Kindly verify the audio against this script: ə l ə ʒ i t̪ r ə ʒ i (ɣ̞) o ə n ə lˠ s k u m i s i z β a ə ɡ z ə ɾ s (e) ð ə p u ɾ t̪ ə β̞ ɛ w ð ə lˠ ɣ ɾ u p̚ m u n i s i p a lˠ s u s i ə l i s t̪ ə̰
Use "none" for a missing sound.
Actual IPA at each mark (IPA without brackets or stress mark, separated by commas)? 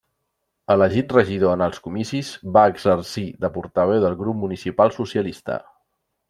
ð̞, i